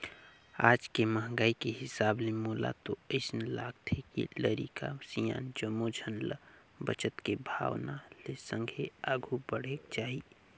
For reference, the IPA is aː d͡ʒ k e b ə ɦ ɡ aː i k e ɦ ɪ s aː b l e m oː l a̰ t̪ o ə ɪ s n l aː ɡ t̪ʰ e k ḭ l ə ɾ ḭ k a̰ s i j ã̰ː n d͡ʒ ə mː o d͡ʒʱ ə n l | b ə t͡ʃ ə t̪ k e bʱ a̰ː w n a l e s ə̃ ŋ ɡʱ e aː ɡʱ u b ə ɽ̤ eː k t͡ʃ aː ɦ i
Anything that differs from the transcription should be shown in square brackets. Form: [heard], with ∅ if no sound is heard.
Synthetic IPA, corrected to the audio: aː d͡ʒ k e [m] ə ɦ ɡ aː i k e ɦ ɪ s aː b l e m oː l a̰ t̪ o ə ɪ s n l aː ɡ t̪ʰ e k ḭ l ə ɾ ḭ k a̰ s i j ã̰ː n d͡ʒ ə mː o d͡ʒʱ ə n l | b ə t͡ʃ ə t̪ k e bʱ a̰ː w n a l e s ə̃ ŋ ɡʱ e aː ɡʱ u b ə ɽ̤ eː k t͡ʃ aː ɦ i